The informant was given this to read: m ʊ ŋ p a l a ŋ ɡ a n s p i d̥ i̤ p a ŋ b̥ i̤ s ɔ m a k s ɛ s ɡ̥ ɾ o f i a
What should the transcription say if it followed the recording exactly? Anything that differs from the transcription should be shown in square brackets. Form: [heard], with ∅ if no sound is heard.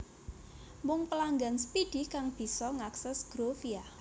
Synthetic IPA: m ʊ ŋ p [ə] l a ŋ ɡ a n s p i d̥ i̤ [k] a ŋ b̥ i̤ s ɔ [ŋ] a k s ɛ s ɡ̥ ɾ o f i a